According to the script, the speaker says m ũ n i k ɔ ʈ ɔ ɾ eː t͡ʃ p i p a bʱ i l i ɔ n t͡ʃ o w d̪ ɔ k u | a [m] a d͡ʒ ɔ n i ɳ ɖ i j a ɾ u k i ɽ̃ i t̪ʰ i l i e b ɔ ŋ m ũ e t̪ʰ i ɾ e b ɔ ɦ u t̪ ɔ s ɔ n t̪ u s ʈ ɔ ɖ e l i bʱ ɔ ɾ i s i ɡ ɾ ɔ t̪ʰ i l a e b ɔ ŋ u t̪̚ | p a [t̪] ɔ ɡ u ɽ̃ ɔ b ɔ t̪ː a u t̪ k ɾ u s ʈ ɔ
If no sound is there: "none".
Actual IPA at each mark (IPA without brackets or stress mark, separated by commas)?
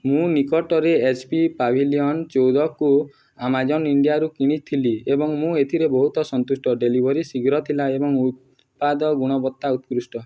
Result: m, d̪